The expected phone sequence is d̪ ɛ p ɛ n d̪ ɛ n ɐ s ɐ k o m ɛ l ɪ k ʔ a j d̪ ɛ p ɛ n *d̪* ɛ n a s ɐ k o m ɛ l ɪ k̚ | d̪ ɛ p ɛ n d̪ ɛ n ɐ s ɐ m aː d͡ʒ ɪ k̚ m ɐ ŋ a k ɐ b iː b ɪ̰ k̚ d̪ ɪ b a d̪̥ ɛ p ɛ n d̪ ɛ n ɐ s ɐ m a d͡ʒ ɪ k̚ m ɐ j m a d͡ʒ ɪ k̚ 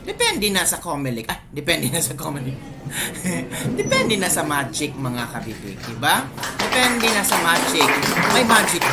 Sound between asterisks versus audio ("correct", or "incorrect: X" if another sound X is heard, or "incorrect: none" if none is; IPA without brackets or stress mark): correct